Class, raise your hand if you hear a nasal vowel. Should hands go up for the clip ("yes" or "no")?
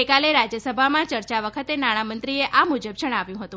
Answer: yes